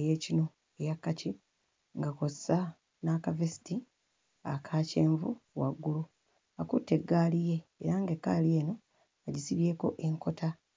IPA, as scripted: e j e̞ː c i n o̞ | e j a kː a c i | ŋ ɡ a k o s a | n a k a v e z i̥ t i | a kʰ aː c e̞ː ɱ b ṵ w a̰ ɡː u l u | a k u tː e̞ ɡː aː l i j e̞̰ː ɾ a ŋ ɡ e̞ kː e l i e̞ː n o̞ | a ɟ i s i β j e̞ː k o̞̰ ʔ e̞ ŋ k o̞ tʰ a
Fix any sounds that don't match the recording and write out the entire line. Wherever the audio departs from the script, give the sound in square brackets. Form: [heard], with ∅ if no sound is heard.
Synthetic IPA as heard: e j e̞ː c i n o̞ | e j a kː a c i | ŋ ɡ a k o s a | n a k a v e [s] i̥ t i | a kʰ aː c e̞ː ɱ [v] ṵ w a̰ ɡː u l u | a k u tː e̞ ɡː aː l i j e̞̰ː ɾ a ŋ ɡ e̞ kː [a] l i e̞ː n o̞ | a ɟ i s i β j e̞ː k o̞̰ ʔ e̞ ŋ k o̞ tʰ a